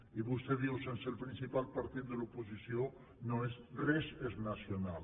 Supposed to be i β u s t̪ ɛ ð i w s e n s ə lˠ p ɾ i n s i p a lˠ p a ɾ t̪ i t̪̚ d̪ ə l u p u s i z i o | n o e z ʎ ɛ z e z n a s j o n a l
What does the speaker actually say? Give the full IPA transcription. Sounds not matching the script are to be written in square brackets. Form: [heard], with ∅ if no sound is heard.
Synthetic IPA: i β u s t̪ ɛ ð i w s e n s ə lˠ p ɾ i n s i p a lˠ p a ɾ t̪ i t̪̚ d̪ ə l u p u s i [s] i o | n o e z [r] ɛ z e z n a s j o n a l